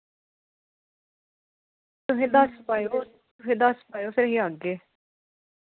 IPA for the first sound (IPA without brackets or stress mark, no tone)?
t̪